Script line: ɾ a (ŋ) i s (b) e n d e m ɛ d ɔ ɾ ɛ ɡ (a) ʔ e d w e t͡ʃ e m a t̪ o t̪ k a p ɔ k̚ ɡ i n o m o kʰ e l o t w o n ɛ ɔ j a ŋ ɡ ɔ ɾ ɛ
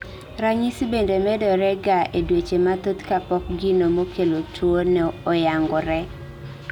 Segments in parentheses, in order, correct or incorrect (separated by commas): incorrect, correct, correct